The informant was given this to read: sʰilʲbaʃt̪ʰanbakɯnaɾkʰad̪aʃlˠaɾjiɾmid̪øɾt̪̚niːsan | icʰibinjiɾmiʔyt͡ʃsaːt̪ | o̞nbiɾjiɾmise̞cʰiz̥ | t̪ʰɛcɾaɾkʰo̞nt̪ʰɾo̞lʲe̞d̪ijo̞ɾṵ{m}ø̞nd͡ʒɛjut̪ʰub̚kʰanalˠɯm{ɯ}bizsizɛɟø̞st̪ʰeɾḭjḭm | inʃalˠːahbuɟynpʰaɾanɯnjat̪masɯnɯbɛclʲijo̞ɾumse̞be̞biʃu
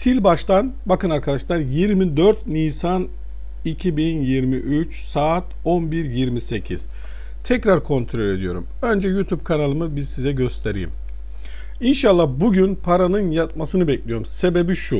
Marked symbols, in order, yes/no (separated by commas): yes, yes